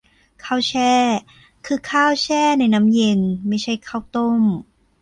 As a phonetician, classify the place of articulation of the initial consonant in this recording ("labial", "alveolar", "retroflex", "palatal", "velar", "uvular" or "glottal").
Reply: velar